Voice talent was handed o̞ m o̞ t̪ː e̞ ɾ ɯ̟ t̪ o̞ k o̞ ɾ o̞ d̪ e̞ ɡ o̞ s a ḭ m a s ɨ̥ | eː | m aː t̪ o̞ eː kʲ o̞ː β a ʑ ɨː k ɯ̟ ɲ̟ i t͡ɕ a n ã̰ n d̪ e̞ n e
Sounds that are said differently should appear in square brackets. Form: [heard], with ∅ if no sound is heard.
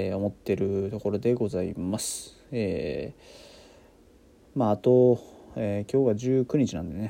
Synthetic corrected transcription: o̞ m o̞ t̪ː e̞ ɾ ɯ̟ t̪ o̞ k o̞ ɾ o̞ d̪ e̞ ɡ o̞ [z] a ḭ m a s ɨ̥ | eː | m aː t̪ o̞ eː kʲ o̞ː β a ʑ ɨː k ɯ̟ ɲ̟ i t͡ɕ [i] n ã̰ n d̪ e̞ n e